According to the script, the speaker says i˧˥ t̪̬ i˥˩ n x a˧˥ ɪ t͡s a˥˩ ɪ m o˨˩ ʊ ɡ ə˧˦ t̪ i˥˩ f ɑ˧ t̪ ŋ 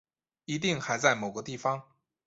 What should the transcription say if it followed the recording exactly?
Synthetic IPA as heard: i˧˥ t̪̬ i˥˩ ŋ x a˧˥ ɪ t͡s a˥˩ ɪ m o˨˩ ʊ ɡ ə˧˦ t̪ i˥˩ f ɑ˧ ŋ